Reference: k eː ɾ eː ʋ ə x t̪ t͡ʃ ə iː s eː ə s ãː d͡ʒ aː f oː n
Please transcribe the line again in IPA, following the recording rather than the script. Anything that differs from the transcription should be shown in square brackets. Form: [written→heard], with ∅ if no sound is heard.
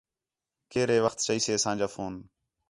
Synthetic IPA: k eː ɾ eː ʋ ə x t̪ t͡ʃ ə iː s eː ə s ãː d͡ʒ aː f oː n